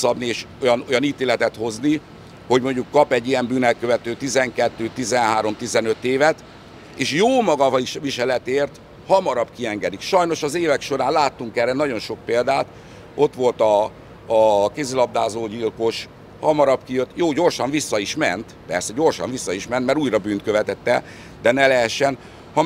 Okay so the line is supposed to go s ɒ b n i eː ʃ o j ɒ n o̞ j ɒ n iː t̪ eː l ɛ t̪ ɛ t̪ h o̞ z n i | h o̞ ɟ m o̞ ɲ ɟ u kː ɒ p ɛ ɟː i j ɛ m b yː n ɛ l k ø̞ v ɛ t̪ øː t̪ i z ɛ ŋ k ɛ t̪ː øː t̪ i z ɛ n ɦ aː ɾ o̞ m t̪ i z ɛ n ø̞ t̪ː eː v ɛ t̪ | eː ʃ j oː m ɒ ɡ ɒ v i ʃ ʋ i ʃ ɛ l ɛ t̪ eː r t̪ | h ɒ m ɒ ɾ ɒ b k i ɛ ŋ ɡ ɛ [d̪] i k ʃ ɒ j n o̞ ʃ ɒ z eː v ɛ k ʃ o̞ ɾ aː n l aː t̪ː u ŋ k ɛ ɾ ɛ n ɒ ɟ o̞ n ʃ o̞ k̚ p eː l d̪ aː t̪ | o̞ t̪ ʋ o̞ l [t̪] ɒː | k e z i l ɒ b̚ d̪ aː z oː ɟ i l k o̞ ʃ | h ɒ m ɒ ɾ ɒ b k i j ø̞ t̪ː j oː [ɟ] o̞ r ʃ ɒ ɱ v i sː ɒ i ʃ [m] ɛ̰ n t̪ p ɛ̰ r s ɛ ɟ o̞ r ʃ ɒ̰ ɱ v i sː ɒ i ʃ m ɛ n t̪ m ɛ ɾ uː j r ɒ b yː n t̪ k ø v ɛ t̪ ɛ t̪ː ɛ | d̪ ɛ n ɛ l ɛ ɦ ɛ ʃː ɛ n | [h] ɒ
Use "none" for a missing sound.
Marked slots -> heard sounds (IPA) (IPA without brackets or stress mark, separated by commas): d̪, t̪, ɟ, m, h